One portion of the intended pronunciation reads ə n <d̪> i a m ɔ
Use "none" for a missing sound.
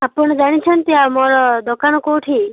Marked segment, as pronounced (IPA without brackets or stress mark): t̪